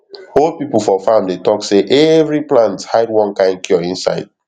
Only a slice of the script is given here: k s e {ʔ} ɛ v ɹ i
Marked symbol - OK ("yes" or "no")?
yes